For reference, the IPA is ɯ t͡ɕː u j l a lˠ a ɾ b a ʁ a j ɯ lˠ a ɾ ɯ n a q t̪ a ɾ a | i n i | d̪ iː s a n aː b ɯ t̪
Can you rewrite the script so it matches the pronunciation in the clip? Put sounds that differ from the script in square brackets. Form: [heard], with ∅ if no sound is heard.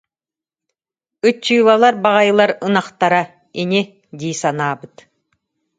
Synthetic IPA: ɯ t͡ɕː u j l a lˠ a ɾ b a ʁ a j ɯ lˠ a ɾ ɯ n a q t̪ a ɾ a | i n i | d̪ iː s a n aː b ɯ t̪